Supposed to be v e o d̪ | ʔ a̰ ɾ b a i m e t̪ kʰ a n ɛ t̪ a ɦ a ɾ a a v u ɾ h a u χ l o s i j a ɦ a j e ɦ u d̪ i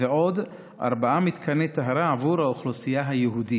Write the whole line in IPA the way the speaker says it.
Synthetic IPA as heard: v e o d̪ | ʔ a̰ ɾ b a a m i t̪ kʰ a n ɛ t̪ a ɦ a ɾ a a v u ɾ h a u χ l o s i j a ɦ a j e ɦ u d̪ i